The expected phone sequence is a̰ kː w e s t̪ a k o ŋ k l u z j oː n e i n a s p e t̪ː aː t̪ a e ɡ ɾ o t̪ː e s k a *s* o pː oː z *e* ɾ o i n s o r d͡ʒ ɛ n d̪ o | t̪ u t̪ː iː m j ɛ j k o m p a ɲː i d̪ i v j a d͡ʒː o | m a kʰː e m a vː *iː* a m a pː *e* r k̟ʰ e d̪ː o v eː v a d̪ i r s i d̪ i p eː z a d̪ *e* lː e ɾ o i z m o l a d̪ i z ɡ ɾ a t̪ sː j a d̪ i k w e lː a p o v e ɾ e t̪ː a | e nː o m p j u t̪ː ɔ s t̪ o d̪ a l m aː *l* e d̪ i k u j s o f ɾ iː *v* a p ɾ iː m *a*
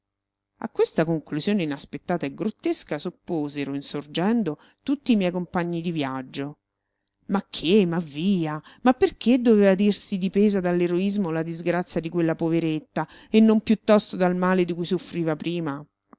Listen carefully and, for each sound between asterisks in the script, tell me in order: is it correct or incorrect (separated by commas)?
correct, correct, correct, correct, incorrect, correct, correct, correct